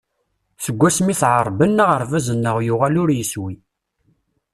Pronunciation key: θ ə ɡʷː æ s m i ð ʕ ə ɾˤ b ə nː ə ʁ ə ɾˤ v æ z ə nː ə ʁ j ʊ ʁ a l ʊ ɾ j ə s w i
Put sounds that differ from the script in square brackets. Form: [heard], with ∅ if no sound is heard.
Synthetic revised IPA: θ ə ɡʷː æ s m i [θ] ʕ ə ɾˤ b ə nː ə ʁ ə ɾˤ v æ z ə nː ə ʁ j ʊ ʁ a l ʊ ɾ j ə s w i